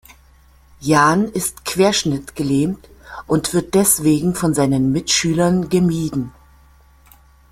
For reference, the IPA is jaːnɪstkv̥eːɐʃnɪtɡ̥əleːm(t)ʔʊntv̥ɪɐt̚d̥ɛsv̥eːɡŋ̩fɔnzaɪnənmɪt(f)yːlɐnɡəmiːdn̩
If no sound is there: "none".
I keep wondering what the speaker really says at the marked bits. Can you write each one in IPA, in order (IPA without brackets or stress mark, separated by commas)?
t, ʃ